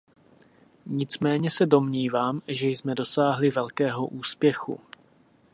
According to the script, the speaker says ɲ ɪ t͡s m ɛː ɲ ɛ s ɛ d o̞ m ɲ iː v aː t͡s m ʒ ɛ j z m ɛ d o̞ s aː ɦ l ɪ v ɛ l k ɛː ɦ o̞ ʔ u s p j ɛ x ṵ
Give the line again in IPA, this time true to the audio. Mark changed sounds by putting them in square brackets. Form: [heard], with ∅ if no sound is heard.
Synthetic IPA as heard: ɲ ɪ t͡s m ɛː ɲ ɛ s ɛ d o̞ m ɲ iː v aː [∅] m ʒ ɛ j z m ɛ d o̞ s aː ɦ l ɪ v ɛ l k ɛː ɦ o̞ ʔ [uː] s p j ɛ x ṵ